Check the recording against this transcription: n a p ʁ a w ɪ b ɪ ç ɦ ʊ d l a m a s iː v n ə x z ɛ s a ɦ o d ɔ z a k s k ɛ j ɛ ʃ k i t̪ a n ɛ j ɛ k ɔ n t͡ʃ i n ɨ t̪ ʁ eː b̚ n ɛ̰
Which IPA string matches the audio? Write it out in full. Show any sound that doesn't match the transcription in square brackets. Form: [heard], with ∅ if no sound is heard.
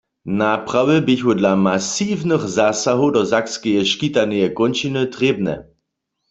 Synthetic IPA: n a p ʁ a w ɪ b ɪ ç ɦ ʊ d l a m a s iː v n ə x z [a] s a ɦ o d ɔ z a k s k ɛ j ɛ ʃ k i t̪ a n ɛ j ɛ k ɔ n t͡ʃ i n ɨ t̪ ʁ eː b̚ n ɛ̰